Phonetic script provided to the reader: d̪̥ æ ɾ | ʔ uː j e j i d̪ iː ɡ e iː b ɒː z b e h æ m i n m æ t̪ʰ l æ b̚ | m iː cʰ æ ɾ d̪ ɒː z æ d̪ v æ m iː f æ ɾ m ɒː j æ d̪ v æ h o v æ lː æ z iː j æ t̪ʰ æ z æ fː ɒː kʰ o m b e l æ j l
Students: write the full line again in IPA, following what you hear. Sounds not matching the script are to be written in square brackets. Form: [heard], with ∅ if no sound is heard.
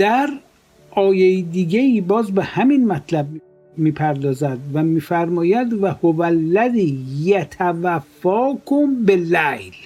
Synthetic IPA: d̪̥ æ ɾ | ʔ [ɒː] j e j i d̪ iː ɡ e iː b ɒː z b e h æ m i n m æ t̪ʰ l æ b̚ | m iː [pʰ] æ ɾ d̪ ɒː z æ d̪ v æ m iː f æ ɾ m ɒː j æ d̪ v æ h o v æ lː æ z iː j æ t̪ʰ æ [v] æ fː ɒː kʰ o m b e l æ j l